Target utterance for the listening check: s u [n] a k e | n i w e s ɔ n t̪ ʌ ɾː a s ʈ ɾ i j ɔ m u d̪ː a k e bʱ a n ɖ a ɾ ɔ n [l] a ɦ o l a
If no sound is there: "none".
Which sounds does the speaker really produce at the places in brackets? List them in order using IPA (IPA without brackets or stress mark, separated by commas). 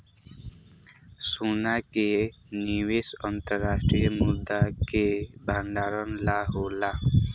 n, l